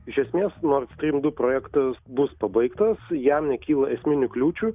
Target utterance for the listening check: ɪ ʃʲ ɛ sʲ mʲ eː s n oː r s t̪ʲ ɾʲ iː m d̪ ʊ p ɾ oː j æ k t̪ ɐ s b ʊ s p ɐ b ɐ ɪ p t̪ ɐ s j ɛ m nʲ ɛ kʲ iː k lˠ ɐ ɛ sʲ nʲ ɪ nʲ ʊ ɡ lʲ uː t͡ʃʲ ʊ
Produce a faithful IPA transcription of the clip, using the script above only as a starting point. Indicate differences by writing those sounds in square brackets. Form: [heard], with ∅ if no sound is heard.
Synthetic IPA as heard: ɪ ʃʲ ɛ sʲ mʲ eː s n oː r s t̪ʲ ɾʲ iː m d̪ ʊ p ɾ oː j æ k t̪ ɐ s b ʊ s p ɐ b ɐ ɪ [k] t̪ ɐ s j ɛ m nʲ ɛ kʲ iː [∅] lˠ ɐ ɛ sʲ [mʲ] ɪ nʲ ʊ [k] lʲ uː t͡ʃʲ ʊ